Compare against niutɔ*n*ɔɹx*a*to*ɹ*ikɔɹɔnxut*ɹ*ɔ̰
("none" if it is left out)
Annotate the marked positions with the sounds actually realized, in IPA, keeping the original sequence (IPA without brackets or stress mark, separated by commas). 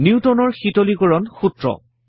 n, i, l, ɹ